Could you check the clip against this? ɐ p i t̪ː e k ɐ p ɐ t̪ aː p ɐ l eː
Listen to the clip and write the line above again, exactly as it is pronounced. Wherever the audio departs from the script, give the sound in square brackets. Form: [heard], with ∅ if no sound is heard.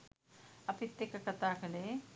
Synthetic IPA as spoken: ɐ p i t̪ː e k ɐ [k] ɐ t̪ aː [k] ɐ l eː